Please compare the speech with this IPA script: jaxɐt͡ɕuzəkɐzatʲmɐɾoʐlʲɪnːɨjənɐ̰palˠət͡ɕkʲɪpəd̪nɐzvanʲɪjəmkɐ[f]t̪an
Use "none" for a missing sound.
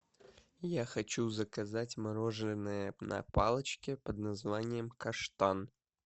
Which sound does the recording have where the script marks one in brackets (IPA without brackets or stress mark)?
ʂ